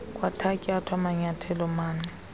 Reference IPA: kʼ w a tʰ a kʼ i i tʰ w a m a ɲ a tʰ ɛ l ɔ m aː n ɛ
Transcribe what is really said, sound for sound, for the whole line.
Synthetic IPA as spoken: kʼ w a tʰ a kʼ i a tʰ w a m a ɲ a tʰ ɛ l ɔ m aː n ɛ